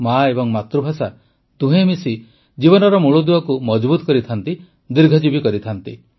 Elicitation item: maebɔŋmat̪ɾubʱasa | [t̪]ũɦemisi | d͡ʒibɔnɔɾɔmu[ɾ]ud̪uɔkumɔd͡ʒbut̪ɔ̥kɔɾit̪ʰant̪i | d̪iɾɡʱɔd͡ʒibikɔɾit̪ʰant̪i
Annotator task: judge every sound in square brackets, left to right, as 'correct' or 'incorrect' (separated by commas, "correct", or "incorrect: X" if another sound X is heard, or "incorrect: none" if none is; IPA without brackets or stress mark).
correct, incorrect: ɭ